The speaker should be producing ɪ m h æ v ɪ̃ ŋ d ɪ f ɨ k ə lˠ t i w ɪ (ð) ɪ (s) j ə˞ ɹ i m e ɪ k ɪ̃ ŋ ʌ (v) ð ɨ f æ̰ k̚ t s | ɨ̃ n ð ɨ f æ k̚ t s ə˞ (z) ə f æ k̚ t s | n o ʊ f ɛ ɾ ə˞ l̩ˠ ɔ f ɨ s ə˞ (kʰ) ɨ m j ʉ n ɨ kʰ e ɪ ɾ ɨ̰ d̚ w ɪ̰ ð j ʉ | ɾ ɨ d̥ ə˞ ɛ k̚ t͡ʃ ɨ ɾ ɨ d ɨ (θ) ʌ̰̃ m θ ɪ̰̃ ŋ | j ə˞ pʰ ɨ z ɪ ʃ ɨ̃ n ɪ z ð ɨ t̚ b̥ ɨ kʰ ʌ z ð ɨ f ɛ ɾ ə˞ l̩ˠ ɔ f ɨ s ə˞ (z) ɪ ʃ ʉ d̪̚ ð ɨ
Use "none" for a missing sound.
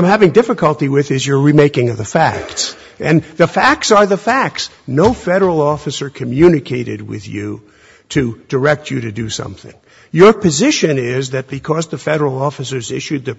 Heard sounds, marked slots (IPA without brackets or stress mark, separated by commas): ð, z, v, ð, kʰ, s, z